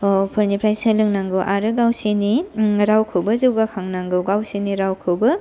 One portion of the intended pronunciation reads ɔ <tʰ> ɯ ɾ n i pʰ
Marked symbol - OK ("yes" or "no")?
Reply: no